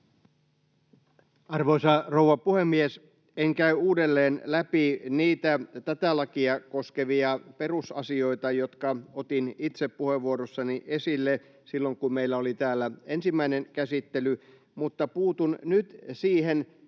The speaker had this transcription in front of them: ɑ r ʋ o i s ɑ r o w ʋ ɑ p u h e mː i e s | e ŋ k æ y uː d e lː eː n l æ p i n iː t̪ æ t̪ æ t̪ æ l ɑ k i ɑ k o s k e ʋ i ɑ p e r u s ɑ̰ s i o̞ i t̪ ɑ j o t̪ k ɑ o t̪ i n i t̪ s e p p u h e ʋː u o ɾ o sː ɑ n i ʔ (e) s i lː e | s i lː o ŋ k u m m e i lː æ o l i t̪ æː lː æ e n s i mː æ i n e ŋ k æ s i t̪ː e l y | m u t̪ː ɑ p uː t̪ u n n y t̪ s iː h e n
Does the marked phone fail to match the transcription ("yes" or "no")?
no